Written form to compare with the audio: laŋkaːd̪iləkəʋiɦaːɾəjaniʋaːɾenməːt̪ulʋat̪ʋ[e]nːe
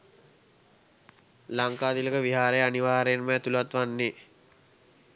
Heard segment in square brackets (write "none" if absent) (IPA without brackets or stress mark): a